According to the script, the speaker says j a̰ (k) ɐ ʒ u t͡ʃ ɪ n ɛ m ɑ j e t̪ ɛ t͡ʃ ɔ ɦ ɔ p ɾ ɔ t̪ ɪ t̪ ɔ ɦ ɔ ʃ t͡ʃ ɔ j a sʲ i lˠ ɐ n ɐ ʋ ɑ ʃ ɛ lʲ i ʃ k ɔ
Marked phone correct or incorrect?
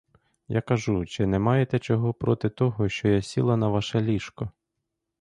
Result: correct